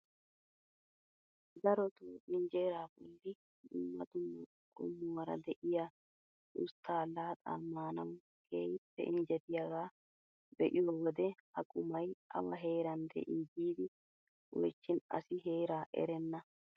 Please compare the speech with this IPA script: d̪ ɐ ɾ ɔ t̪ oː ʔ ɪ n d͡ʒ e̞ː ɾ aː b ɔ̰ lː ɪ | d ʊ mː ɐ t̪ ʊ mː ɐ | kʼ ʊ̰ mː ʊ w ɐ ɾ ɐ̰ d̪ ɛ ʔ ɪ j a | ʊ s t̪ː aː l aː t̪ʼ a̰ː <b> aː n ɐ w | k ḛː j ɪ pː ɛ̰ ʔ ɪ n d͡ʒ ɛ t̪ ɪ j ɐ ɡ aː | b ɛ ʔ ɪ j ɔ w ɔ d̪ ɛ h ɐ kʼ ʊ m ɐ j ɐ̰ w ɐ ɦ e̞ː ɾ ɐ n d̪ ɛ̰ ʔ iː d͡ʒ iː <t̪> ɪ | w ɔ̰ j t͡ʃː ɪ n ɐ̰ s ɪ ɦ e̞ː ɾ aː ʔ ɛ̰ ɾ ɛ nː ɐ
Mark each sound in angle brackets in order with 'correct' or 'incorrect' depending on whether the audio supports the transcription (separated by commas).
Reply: incorrect, incorrect